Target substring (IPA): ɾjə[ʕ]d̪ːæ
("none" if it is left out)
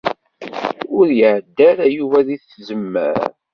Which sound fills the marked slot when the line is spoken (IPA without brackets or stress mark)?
ʕ